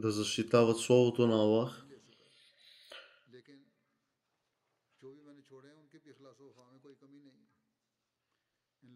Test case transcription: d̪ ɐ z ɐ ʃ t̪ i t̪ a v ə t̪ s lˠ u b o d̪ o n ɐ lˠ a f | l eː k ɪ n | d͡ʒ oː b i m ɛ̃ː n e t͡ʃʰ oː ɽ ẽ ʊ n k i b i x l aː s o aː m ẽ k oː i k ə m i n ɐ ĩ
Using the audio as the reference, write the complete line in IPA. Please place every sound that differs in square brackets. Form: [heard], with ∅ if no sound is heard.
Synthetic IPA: d̪ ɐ z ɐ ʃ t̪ i t̪ a v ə t̪ s lˠ [ɔ] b o [t̪] o n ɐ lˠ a [x] | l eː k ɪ n | d͡ʒ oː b i m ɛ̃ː n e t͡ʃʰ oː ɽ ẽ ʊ n k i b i x l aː s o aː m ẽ k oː i k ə m i n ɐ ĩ